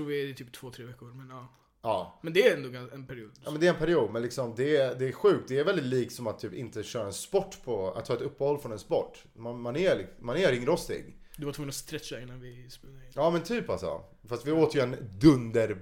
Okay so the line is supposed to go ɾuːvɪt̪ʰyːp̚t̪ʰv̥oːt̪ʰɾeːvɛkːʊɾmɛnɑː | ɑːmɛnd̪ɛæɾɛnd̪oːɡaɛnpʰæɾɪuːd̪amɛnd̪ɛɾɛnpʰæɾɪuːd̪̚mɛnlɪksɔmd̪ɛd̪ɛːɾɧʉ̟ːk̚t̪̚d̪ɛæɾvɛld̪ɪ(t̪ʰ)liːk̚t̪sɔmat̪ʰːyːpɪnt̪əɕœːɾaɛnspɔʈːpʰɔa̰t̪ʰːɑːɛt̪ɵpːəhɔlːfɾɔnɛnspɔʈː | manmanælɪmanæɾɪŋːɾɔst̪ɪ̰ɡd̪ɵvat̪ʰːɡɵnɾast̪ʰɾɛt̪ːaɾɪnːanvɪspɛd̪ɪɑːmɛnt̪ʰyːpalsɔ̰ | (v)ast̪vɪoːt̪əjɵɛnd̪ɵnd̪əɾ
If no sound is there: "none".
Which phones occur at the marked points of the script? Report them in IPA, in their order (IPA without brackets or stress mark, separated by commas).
t̪, f